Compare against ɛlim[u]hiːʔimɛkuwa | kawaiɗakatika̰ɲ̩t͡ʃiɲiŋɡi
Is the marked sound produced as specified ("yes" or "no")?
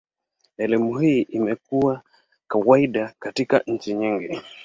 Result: yes